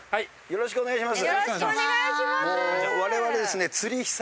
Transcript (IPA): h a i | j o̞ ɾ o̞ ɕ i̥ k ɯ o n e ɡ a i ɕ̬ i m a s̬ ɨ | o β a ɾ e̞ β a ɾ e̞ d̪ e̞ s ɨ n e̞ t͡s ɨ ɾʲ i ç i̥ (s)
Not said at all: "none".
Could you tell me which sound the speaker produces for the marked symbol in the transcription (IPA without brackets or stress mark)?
s